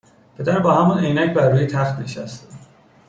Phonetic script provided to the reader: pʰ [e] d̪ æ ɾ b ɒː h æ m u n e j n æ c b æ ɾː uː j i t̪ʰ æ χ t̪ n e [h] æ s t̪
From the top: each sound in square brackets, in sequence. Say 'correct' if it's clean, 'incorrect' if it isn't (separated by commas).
correct, incorrect